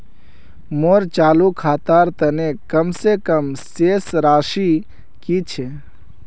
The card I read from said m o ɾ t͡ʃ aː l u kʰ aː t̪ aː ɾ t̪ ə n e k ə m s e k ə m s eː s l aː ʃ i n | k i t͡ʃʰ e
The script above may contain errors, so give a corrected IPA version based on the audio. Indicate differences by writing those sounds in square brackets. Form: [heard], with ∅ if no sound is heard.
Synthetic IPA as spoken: m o ɾ t͡ʃ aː l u kʰ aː t̪ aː ɾ t̪ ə n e k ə m s e k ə m s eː s [ɾ] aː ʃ i [∅] | k i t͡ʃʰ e